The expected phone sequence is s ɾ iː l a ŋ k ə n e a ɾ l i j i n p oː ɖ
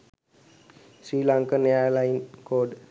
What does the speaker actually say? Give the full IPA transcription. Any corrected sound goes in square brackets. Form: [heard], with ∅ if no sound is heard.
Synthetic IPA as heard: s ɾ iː l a ŋ k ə n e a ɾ l [a] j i n [k] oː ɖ

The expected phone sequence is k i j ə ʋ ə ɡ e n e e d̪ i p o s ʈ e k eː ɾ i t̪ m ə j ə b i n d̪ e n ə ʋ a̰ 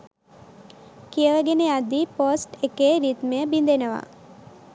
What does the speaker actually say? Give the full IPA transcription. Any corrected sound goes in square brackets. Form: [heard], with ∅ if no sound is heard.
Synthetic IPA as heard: k i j ə ʋ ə ɡ e n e [a] d̪ i p o s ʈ e k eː ɾ i t̪ m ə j ə b i n d̪ e n ə ʋ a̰

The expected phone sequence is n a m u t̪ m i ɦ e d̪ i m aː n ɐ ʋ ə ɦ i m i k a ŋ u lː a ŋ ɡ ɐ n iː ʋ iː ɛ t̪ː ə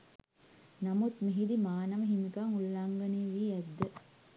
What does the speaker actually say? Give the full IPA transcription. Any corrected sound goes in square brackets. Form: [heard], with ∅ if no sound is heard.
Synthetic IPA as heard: n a m u t̪ m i ɦ [i] d̪ i m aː n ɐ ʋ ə ɦ i m i k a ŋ u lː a ŋ ɡ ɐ n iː ʋ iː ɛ [d̪ː] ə

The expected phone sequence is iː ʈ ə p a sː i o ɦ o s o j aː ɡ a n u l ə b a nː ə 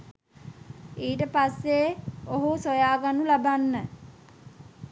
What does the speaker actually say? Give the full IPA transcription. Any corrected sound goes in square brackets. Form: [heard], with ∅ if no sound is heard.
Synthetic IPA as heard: iː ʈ ə p a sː [e] o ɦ [u] s o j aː ɡ a n u l [a] b a nː ə

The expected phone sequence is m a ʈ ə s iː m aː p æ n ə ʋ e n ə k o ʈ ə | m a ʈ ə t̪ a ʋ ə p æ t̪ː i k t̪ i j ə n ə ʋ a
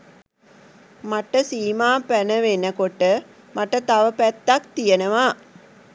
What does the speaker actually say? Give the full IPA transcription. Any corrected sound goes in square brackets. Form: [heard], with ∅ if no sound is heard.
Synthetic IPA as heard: m a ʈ ə s iː m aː p æ n ə ʋ e n ə k o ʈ ə | m a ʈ ə t̪ a ʋ ə p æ t̪ː [a] k t̪ i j ə n ə ʋ a

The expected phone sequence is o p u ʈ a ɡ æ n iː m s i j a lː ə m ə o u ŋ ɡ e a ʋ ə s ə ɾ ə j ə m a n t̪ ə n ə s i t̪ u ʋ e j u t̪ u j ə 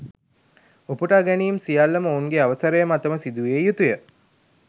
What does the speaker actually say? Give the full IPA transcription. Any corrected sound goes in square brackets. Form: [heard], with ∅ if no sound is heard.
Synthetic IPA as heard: o p u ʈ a ɡ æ n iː m s i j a lː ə m ə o u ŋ ɡ e a ʋ ə s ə ɾ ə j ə m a [∅] t̪ ə [m] ə s i [d̪] u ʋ e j u t̪ u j ə

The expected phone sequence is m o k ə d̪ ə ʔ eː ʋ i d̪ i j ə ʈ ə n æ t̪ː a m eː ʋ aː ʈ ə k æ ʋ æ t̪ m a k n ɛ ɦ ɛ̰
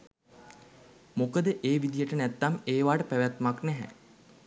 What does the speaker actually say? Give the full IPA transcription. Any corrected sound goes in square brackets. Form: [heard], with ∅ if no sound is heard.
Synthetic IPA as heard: m o k ə d̪ ə ʔ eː ʋ i d̪ i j ə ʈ ə n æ t̪ː a m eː ʋ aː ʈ ə [p] æ ʋ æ t̪ m a k n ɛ ɦ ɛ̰

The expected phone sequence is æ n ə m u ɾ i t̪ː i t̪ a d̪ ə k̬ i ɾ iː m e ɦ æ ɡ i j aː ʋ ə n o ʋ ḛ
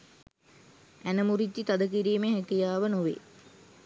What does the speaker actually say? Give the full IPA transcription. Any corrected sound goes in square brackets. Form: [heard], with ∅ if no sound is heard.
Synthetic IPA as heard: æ n ə m u ɾ i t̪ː i t̪ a d̪ ə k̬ i ɾ iː m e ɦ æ [k] i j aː ʋ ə n o ʋ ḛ

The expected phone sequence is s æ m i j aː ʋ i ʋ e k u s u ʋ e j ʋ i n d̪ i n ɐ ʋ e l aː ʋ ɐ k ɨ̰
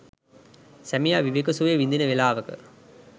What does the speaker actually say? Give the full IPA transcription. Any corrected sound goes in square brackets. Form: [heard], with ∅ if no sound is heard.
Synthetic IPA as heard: s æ m i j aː ʋ i ʋ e k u s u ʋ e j ʋ i n d̪ i n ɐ ʋ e l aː ʋ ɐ k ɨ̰

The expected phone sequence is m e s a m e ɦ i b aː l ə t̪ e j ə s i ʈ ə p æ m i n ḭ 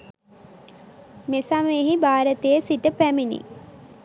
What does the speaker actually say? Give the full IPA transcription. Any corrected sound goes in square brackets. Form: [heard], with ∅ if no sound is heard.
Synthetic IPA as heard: m e s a m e ɦ i b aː [ɾ] ə t̪ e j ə s i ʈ ə p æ m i n ḭ

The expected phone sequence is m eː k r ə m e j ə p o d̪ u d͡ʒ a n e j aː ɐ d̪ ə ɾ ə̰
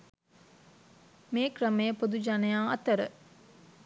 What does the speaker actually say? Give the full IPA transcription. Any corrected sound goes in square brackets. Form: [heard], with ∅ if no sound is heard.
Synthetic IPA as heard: m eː k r ə m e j ə p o d̪ u d͡ʒ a n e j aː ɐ [t̪] ə ɾ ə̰

